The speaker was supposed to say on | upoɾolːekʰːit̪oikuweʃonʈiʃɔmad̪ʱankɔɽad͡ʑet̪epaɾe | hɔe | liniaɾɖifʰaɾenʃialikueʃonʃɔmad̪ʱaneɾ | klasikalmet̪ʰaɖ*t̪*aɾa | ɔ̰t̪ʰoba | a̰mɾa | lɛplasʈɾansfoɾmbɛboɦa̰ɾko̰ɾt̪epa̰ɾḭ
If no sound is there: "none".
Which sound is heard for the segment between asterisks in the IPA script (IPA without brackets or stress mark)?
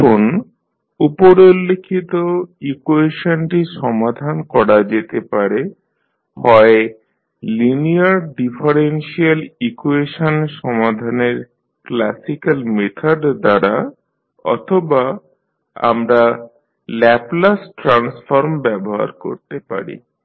d̪